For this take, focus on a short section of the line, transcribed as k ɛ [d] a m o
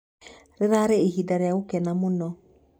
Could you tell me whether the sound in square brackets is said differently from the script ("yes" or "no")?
yes